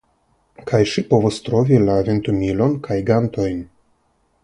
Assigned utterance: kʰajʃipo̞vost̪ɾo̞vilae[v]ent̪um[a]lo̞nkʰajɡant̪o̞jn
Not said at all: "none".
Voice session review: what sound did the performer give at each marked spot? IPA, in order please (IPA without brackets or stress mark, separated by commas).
v, i